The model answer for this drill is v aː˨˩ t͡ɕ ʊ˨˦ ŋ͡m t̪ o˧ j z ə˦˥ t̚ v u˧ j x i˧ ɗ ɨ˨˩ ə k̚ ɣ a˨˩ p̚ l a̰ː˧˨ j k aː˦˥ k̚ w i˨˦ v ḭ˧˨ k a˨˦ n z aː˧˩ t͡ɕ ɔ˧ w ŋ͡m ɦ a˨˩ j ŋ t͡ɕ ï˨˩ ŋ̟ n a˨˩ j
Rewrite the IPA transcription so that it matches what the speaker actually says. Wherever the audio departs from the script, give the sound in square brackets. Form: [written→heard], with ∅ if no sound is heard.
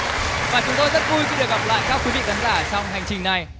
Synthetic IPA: v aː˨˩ t͡ɕ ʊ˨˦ ŋ͡m t̪ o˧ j z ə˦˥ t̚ v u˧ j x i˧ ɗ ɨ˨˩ ə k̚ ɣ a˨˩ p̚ l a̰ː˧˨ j k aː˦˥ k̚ w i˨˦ v ḭ˧˨ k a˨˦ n z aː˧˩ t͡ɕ ɔ˧ w ŋ͡m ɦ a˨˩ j ŋ t͡ɕ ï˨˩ ŋ̟ n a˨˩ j